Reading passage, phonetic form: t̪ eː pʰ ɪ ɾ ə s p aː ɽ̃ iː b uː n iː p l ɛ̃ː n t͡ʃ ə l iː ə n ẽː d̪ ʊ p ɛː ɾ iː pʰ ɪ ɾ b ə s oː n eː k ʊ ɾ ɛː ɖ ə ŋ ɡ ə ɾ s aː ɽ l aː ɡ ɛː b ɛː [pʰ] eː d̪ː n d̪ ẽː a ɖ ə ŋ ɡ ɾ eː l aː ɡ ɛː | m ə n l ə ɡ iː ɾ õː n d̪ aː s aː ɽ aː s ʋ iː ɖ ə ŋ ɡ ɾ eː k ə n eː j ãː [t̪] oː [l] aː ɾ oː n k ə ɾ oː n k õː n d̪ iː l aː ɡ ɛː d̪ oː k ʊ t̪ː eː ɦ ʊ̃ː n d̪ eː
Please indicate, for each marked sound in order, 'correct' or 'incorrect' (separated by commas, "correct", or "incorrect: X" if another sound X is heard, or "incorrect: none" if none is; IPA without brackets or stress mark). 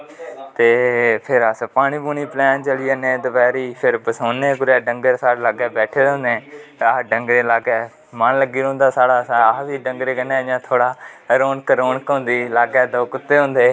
incorrect: ʈʰ, incorrect: t̪ʰ, incorrect: ɽ